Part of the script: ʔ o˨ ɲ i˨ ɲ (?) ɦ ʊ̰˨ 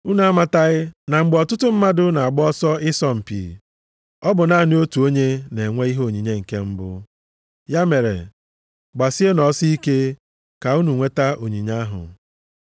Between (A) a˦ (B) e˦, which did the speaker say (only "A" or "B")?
A